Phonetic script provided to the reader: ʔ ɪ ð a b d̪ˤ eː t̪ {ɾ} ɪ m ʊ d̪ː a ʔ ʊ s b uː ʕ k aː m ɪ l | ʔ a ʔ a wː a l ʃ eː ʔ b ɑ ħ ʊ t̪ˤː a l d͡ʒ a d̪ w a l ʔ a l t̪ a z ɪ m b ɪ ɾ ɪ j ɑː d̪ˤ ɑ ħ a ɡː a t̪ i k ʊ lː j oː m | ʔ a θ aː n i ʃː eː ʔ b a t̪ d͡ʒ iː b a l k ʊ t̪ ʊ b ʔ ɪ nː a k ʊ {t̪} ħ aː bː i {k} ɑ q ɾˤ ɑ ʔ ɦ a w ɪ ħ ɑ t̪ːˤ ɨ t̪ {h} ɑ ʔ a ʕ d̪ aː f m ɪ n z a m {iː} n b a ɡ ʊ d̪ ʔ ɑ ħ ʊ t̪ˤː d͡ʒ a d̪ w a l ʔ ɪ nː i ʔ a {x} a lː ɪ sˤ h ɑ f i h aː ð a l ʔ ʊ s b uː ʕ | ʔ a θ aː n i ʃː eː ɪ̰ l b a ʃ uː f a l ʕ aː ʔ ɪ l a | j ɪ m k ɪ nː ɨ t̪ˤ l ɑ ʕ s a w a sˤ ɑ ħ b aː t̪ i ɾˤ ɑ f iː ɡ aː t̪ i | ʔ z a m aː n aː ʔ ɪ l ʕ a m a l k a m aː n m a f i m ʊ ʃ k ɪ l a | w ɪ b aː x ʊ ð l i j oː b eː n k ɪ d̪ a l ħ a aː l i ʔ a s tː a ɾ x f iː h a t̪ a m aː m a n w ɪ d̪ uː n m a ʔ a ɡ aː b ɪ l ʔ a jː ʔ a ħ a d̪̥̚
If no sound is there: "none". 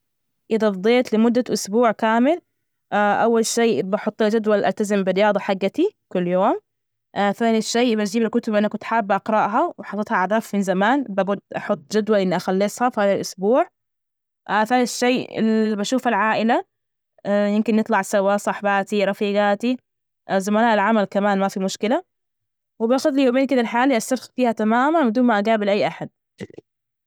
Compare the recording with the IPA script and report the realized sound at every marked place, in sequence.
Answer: l, t̪, ʔ, h, aː, x

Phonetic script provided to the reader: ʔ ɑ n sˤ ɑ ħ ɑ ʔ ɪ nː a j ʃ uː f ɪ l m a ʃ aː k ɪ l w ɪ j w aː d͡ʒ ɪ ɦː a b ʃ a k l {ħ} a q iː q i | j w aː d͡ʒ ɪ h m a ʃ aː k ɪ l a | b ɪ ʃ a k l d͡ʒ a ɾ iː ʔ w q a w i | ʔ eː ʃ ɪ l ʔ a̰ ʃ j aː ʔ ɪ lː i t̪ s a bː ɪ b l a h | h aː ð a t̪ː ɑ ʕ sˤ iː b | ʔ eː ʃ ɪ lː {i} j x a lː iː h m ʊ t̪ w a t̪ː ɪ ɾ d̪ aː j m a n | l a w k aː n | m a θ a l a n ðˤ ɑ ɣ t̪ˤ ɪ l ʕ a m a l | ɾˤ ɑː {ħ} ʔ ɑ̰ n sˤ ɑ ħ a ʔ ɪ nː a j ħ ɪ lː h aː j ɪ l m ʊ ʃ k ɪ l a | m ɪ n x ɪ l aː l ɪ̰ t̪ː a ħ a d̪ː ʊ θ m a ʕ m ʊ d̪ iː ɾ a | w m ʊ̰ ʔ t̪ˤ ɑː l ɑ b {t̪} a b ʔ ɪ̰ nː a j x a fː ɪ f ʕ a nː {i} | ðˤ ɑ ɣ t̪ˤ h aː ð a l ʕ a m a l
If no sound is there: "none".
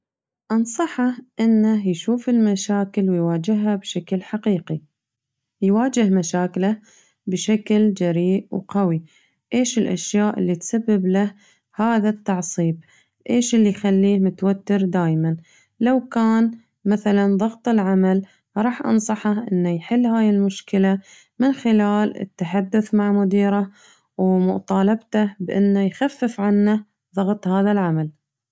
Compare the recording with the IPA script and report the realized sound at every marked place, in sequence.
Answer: ħ, i, ħ, t̪, a

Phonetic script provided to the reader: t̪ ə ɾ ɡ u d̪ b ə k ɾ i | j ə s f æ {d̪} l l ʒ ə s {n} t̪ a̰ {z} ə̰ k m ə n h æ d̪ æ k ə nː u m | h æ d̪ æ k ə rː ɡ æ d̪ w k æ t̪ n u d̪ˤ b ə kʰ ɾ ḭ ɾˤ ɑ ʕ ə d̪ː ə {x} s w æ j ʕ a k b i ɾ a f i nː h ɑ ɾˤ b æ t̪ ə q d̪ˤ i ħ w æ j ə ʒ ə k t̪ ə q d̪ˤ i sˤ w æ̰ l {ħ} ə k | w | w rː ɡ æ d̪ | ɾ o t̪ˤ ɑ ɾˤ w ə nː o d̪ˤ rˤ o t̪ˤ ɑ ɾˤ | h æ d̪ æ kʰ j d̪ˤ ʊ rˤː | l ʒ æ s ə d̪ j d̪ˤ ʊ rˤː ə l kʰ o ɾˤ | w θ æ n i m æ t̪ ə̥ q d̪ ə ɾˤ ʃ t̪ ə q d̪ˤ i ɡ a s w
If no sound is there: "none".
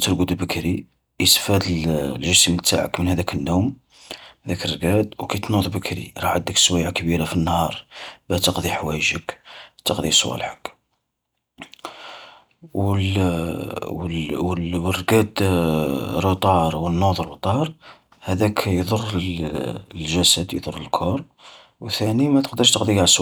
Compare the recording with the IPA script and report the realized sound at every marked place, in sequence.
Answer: d̪, m, ʕ, k, ħ

